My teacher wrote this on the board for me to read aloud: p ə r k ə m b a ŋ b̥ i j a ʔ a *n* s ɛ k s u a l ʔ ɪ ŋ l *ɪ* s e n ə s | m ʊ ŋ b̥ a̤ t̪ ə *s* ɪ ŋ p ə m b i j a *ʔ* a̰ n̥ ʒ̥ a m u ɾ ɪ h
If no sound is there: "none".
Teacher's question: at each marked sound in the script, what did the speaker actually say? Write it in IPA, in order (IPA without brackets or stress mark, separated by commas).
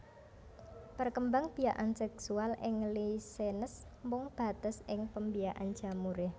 n, i, s, ʔ